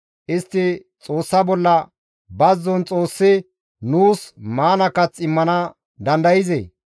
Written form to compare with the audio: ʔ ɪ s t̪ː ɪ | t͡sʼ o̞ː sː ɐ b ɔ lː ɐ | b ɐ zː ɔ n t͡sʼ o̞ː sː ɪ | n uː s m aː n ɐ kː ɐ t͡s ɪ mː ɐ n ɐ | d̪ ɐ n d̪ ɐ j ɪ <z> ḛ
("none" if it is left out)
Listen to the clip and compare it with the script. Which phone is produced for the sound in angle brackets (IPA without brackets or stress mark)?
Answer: z